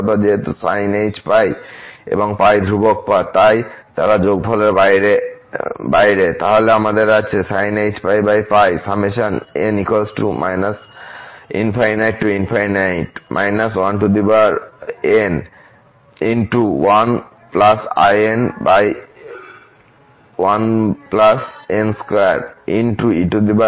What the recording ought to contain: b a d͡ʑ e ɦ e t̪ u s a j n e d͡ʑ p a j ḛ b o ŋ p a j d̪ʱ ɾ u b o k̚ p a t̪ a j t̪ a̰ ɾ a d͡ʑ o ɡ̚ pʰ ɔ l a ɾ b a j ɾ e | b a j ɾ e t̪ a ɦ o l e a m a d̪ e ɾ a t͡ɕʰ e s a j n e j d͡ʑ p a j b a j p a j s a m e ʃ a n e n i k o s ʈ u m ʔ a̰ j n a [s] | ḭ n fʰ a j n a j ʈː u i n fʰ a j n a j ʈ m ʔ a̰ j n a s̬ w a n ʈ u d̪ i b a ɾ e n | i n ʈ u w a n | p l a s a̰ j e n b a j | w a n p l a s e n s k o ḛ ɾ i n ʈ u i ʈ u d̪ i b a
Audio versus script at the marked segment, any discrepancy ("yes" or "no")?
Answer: no